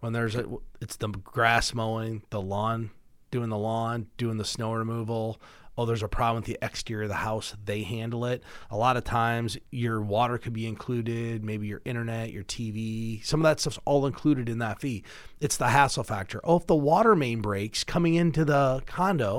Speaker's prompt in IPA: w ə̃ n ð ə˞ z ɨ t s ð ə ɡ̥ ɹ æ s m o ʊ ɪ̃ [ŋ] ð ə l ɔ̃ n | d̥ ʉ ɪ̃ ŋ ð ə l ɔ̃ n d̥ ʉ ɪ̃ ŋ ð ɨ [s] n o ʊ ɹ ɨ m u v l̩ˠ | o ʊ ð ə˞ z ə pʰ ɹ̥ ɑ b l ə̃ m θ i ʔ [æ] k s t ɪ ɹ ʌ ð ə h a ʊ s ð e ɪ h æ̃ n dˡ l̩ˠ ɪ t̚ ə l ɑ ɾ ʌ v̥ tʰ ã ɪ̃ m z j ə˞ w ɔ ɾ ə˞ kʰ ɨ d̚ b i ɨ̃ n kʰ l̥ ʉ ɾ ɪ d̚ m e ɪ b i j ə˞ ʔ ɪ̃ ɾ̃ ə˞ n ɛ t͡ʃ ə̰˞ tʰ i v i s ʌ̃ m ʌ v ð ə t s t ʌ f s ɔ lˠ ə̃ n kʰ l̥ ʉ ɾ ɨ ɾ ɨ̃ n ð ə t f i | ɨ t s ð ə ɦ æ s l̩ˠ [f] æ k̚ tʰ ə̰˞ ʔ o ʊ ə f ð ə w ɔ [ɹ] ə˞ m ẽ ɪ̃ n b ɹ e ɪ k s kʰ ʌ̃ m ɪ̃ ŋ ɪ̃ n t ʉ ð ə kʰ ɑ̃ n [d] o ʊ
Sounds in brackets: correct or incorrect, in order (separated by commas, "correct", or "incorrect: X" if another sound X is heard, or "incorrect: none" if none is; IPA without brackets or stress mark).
correct, correct, incorrect: ɛ, correct, incorrect: ɾ, correct